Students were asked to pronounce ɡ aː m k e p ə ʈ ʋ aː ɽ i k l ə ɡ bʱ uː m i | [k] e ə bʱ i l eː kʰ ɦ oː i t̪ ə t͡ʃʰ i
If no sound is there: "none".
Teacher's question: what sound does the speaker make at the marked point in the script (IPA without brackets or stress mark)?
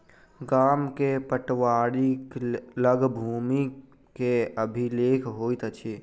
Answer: k